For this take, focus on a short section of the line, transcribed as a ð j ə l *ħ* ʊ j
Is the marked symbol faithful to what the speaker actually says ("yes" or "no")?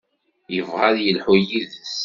yes